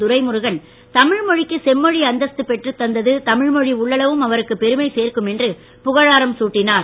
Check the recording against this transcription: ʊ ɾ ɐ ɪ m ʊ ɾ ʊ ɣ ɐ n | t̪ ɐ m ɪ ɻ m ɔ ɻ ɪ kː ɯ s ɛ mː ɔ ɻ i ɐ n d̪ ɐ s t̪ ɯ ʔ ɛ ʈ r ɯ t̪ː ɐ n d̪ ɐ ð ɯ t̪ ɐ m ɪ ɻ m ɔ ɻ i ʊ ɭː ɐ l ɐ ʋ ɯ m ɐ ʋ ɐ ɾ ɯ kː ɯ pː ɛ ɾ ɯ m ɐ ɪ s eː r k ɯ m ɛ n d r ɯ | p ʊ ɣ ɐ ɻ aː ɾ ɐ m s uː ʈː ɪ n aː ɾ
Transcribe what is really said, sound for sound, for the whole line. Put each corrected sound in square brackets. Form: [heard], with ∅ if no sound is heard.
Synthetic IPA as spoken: ʊ ɾ ɐ ɪ m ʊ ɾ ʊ ɣ ɐ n | t̪ ɐ m ɪ ɻ m ɔ ɻ ɪ kː ɯ s ɛ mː ɔ ɻ i ɐ n d̪ ɐ s t̪ ɯ [p] ɛ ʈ r ɯ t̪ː ɐ n d̪ ɐ ð ɯ t̪ ɐ m ɪ ɻ m ɔ ɻ i ʊ ɭː ɐ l ɐ ʋ ɯ m ɐ ʋ ɐ ɾ ɯ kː ɯ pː ɛ ɾ ɯ m ɐ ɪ s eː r k ɯ m ɛ n d r ɯ | p ʊ ɣ ɐ ɻ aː ɾ ɐ m s uː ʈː ɪ n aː ɾ